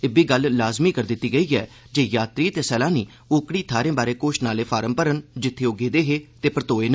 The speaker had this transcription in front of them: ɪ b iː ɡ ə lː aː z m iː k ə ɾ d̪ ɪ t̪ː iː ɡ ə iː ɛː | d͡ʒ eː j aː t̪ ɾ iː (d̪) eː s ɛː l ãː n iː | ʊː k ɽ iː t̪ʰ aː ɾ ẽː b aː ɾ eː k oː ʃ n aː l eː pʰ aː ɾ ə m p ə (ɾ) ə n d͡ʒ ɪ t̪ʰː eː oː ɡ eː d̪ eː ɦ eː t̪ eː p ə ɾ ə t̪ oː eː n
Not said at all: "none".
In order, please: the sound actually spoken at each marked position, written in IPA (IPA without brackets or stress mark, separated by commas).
t̪, ɾ